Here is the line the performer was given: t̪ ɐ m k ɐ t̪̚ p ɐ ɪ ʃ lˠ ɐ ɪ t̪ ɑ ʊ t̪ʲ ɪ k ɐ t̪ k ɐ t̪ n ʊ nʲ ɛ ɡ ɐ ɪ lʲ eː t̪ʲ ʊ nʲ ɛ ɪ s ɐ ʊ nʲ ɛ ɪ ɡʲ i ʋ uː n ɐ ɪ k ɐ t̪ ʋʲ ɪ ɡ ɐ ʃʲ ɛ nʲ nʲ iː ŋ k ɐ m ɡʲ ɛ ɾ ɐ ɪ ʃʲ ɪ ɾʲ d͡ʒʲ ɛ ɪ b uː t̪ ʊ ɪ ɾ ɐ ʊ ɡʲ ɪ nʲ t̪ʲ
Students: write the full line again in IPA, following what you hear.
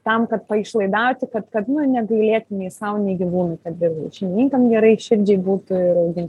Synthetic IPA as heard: t̪ ɐ m k ɐ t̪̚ p ɐ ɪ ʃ lˠ ɐ ɪ d̪ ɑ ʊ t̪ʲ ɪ k ɐ t̪ k ɐ t̪ n ʊ nʲ ɛ ɡ ɐ ɪ lʲ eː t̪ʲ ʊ nʲ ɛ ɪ s ɐ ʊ nʲ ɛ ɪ ɡʲ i ʋ uː n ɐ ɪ k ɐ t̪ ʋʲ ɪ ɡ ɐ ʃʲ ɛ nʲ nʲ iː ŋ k ɐ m ɡʲ ɛ ɾ ɐ ɪ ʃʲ ɪ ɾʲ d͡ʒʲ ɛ ɪ b uː t̪ ʊ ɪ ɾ ɐ ʊ ɡʲ ɪ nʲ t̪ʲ

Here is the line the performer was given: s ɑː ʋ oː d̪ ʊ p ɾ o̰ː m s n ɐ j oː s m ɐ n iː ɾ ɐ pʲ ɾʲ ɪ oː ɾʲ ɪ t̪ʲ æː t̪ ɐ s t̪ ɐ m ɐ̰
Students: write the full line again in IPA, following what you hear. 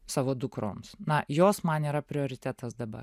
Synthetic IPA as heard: s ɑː ʋ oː d̪ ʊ k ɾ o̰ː m s n ɐ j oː s m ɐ n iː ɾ ɐ pʲ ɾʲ ɪ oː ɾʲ ɪ t̪ʲ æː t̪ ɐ s d̪ ɐ b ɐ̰

